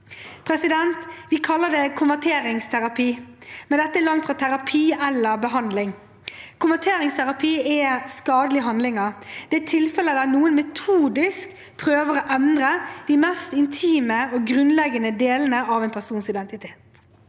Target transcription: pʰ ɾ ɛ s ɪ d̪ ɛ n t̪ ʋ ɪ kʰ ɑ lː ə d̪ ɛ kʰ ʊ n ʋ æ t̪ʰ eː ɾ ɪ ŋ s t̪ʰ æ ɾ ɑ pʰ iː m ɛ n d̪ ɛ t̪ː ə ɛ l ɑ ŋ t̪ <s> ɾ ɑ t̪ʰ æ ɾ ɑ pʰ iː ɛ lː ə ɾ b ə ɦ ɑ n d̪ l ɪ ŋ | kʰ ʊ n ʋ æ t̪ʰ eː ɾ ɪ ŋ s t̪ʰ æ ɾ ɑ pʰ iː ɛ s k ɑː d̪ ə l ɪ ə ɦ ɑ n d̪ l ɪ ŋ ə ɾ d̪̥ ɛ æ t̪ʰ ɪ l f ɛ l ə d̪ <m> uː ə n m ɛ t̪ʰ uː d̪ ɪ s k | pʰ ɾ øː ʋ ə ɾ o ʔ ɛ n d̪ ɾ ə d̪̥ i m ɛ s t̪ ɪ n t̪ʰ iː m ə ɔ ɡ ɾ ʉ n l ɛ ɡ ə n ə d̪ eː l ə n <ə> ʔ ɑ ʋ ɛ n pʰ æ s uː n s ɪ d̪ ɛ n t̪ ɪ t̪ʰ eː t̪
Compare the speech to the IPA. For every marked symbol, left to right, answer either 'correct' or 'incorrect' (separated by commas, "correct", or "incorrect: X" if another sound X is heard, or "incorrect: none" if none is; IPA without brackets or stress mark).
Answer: incorrect: f, incorrect: n, correct